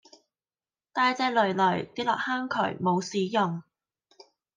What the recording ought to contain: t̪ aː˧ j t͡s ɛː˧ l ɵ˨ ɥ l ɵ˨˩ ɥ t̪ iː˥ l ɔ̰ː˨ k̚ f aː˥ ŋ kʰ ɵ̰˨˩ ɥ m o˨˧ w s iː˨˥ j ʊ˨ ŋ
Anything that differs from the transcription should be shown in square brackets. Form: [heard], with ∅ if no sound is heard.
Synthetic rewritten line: t̪ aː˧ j t͡s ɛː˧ l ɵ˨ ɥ l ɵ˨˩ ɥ t̪ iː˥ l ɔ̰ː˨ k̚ [h] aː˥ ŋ kʰ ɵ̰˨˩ ɥ m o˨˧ w s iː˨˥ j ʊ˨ ŋ